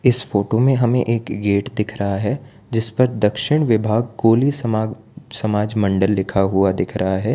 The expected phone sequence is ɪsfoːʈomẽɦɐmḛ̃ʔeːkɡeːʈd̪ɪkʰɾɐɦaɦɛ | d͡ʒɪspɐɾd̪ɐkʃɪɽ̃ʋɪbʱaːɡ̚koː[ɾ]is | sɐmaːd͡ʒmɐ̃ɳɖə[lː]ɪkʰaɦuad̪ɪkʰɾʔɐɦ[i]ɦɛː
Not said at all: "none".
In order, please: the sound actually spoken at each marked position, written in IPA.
l, lː, a

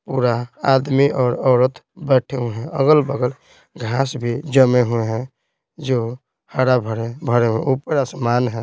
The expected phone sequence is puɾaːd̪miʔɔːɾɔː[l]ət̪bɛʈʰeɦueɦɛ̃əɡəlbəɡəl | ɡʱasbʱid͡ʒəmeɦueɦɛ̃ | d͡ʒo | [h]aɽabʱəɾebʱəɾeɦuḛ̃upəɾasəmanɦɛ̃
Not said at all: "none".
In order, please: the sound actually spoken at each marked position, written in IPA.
ɾ, h

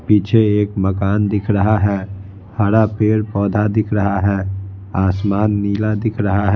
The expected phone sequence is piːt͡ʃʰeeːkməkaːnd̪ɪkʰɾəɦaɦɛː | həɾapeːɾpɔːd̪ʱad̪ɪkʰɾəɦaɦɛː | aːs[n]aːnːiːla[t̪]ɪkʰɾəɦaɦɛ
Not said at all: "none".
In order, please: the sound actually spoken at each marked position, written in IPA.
m, d̪

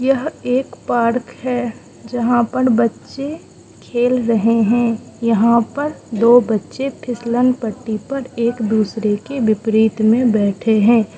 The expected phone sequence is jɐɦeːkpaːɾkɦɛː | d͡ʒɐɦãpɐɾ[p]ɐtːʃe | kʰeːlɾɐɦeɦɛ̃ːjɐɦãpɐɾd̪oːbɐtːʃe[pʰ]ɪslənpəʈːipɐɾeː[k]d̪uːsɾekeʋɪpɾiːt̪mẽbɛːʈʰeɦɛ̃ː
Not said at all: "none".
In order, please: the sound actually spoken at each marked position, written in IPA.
b, pʰ, k

